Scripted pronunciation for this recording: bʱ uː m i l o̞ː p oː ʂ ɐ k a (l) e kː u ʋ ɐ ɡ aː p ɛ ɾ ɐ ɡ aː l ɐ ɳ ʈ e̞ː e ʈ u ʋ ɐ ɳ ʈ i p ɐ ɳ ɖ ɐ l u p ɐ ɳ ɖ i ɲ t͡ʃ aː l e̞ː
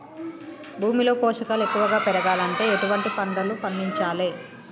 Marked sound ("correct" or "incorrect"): correct